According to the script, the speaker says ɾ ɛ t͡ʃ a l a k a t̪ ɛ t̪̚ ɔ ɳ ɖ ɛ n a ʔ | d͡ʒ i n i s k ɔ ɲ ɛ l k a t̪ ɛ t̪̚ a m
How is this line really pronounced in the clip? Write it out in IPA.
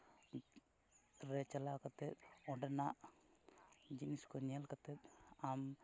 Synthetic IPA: ɾ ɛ t͡ʃ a l a k a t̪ ɛ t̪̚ ɔ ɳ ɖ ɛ n a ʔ | d͡ʒ i n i s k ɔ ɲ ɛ l k a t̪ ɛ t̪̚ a m